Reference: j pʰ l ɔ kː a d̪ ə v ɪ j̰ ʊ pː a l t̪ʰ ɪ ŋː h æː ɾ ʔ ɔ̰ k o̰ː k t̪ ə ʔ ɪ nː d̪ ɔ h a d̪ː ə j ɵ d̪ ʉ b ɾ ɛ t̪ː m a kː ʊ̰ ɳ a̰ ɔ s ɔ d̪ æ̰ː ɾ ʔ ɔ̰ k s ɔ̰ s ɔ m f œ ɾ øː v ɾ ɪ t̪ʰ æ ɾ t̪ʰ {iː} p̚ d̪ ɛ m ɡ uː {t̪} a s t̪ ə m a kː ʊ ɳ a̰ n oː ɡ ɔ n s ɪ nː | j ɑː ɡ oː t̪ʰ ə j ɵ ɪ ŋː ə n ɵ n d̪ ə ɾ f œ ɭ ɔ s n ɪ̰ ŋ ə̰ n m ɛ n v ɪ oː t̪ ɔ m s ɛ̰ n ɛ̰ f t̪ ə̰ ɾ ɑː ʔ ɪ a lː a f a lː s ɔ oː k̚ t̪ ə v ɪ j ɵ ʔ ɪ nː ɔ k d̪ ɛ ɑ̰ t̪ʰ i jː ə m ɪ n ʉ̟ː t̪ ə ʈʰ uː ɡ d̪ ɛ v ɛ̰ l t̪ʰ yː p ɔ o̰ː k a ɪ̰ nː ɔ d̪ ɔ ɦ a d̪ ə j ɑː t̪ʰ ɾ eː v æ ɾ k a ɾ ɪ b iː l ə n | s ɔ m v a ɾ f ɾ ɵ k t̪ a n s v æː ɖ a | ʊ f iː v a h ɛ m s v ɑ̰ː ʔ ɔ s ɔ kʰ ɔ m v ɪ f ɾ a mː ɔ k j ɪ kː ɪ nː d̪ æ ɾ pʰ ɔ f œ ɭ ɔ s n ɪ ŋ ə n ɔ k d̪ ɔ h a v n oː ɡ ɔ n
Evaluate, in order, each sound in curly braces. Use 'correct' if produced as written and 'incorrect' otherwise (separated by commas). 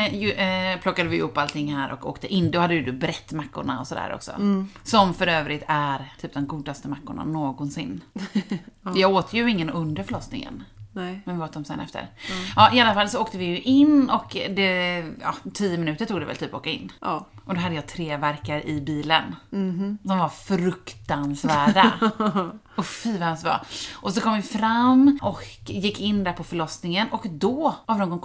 incorrect, incorrect